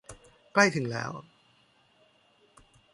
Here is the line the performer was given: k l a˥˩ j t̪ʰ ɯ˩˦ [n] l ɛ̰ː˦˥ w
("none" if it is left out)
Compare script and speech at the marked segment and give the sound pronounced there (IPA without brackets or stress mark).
ŋ